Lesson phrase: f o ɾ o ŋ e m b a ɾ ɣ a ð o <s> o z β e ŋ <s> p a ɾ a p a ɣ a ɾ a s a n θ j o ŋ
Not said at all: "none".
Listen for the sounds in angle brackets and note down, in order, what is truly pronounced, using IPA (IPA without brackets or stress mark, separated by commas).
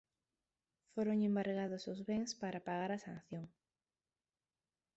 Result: s, s